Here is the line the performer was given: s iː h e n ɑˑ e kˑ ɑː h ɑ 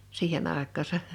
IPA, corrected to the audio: s iː h e n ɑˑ e kˑ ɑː s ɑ